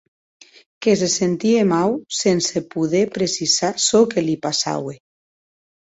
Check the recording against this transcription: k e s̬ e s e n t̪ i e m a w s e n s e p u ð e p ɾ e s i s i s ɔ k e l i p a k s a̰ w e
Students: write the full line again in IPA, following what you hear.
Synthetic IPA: k e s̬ e s e n t̪ i e m a w s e n s e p u ð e p ɾ e s i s a s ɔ k e l i p a s a̰ w e